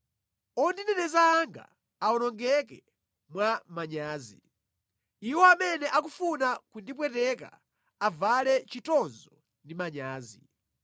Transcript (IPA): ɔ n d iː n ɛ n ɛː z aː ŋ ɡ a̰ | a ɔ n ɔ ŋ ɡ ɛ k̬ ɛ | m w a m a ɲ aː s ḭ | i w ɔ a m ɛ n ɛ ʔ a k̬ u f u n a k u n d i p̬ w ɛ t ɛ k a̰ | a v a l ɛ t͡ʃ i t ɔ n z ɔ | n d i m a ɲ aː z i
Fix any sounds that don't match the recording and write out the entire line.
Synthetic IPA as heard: ɔ n d i n ɛ n ɛ z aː ŋ ɡ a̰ | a ɔ n ɔ ŋ ɡ ɛ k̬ ɛ | m w a m a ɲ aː z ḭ | i w ɔ a m ɛ n ɛ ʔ a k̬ u f u n a k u n d i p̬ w ɛ t ɛ k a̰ | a v a l ɛ t͡ʃ i t ɔ n z ɔ | n d i m a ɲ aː z i